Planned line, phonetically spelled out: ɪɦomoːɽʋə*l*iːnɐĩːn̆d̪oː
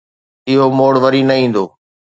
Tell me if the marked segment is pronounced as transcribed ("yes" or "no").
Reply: no